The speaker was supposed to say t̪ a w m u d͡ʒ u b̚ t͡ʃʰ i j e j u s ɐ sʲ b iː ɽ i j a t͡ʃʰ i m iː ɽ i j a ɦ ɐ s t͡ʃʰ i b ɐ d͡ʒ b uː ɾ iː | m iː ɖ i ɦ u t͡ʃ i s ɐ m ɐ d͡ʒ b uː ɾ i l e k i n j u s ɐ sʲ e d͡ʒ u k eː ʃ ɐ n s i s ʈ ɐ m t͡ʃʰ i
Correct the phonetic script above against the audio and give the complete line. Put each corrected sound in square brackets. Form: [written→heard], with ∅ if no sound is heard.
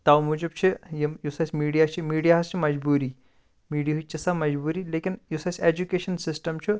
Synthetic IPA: t̪ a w m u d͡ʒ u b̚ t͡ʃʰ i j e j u s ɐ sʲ [b→m] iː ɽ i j a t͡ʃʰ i m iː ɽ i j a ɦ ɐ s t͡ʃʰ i [b→m] ɐ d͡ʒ b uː ɾ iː | m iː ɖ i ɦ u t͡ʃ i s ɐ m ɐ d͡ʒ b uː ɾ i l e k i n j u s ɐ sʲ e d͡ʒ u k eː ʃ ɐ n s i s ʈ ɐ m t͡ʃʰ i

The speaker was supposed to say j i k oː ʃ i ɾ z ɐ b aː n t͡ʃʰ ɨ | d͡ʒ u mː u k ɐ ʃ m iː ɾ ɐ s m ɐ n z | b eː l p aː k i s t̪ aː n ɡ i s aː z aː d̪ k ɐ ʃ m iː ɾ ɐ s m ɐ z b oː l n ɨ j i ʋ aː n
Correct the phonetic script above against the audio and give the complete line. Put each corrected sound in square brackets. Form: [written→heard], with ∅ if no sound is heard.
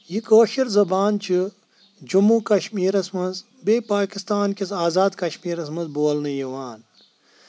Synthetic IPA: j i k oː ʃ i ɾ z ɐ b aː n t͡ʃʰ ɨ | d͡ʒ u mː u k ɐ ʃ m iː ɾ ɐ s m ɐ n z | b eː [l→∅] p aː k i s t̪ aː n [ɡ→k] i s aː z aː d̪ k ɐ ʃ m iː ɾ ɐ s m ɐ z b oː l n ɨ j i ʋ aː n

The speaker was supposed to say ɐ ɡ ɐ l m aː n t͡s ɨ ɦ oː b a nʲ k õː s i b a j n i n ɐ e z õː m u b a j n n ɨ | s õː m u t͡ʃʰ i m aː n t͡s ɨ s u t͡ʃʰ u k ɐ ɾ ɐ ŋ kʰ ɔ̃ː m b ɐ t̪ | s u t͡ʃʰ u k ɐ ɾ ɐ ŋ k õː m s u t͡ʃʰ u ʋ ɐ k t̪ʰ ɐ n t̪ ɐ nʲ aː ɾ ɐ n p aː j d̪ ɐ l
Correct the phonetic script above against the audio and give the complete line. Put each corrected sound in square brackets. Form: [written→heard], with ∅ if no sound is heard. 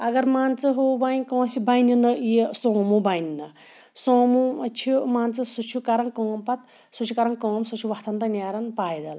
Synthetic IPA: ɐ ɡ ɐ [l→ɾ] m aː n t͡s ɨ ɦ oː b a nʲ k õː s i b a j n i n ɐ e [z→s] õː m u b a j n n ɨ | s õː m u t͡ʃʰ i m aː n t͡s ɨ s u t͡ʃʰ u k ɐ ɾ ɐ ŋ [kʰ→k] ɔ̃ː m [b→p] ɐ t̪ | s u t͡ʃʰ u k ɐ ɾ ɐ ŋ k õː m s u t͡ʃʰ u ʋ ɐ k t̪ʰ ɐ n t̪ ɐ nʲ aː ɾ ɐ n p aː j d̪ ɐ l

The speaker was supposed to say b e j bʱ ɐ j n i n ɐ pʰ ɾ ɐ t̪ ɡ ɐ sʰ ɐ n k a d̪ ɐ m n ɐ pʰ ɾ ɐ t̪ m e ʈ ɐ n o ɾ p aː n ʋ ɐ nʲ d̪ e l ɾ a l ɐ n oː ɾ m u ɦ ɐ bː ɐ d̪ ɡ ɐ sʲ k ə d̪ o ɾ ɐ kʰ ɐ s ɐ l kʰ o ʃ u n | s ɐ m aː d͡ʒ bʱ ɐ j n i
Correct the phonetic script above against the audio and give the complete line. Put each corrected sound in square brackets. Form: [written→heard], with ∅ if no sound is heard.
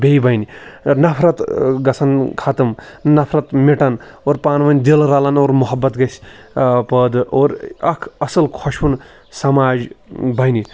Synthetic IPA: b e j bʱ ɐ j n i n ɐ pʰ ɾ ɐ t̪ ɡ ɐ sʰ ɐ n [k→kʰ] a [d̪→t̪] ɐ m n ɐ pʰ ɾ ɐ t̪ m e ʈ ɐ n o ɾ p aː n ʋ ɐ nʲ d̪ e l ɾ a l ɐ n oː ɾ m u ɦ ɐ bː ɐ [d̪→t̪] ɡ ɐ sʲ [k→p] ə d̪ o ɾ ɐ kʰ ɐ s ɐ l kʰ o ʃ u n | s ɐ m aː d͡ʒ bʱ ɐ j n i

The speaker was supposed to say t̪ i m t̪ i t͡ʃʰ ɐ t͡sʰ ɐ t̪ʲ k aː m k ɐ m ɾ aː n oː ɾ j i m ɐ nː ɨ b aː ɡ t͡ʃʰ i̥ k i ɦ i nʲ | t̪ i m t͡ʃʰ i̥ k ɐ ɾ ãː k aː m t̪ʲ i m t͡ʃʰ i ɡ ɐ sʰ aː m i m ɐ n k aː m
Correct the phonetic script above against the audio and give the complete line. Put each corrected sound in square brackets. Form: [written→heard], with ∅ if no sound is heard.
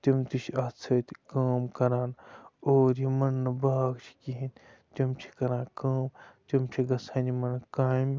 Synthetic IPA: t̪ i m t̪ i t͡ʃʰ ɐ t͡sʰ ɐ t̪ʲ k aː m k ɐ [m→∅] ɾ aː n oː ɾ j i m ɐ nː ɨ b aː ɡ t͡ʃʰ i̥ k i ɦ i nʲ | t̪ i m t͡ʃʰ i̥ k ɐ ɾ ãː k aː m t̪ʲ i m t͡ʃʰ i ɡ ɐ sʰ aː [m→n] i m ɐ n k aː m

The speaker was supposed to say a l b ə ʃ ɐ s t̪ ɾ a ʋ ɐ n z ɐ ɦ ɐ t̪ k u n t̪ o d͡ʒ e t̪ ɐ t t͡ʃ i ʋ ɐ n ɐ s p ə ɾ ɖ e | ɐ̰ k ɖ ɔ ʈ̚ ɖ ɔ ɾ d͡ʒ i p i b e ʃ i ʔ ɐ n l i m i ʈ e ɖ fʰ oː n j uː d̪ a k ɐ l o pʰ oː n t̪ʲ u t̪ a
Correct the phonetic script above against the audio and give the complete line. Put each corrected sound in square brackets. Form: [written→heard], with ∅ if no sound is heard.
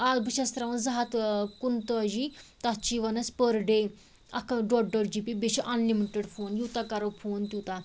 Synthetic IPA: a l b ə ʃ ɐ s t̪ ɾ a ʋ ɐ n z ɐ ɦ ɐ t̪ k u n t̪ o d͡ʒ [e→i] t̪ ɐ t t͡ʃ i ʋ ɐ n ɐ s p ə ɾ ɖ e | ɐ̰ k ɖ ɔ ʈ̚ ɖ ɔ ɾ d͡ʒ i p i b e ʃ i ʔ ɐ n l i m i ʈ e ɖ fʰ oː n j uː [d̪→t̪] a k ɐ [l→ɾ] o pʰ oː n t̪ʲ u t̪ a

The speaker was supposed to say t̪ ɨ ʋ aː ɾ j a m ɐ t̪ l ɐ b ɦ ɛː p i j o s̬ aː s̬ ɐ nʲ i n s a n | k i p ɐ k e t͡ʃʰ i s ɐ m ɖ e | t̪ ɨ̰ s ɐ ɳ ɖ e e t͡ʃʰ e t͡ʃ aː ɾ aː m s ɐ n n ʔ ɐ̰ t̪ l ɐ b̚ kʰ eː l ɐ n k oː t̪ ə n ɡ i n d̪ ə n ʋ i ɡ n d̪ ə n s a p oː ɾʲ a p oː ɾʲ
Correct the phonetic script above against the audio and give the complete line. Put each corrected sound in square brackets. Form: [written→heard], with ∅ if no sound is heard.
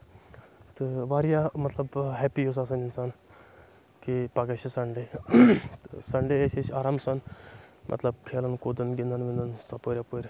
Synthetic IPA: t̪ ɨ ʋ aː ɾ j a m ɐ t̪ l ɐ b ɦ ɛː p i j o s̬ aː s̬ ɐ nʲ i n s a n | k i p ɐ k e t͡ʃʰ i s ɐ [m→ɳ] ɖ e | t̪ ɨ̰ s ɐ ɳ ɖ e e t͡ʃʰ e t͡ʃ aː ɾ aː m s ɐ n [n→m] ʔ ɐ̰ t̪ l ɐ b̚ kʰ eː l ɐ n k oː [t̪→d̪] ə n ɡ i n d̪ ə n ʋ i [ɡ→∅] n d̪ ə n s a p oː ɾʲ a p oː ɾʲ

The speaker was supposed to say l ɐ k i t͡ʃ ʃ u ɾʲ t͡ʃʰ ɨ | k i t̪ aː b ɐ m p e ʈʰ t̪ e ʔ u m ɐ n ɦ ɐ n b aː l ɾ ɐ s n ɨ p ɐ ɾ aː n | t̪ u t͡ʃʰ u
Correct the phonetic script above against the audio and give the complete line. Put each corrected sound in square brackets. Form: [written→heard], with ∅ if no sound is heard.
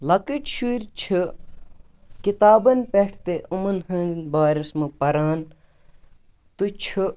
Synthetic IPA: l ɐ k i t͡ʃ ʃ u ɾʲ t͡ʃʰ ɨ | k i t̪ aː b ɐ [m→n] p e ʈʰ t̪ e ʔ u m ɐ n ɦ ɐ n b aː [l→∅] ɾ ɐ s [n→m] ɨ p ɐ ɾ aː n | t̪ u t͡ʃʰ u

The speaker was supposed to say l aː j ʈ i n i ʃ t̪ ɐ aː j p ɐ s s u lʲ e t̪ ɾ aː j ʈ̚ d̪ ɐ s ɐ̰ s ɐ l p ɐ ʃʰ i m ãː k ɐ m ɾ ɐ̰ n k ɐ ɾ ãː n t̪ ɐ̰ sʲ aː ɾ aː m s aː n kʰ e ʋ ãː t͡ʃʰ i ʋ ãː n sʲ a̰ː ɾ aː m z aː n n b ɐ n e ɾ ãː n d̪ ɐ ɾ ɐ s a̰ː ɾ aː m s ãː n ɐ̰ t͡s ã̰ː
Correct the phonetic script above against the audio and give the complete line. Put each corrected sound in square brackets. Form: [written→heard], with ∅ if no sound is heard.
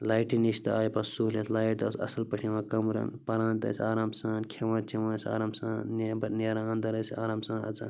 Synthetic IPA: l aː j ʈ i n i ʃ t̪ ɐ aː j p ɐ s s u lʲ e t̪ [ɾ→l] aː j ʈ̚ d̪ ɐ s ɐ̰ s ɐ l p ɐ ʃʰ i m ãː k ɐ m ɾ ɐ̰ n [k→p] ɐ ɾ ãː n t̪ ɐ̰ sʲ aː ɾ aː m s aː n kʰ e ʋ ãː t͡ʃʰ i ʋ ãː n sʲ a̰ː ɾ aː m [z→s] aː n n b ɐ n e ɾ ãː n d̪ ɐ ɾ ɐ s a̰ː ɾ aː m s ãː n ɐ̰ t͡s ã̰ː

